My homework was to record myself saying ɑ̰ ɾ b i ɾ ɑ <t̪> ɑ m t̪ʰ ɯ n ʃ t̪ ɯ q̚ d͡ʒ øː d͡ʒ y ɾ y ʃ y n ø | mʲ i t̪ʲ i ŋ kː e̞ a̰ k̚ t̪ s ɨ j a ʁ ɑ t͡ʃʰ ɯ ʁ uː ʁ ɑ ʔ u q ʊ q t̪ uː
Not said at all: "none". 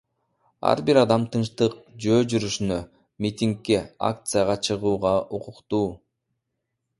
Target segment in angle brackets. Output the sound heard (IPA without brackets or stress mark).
d̪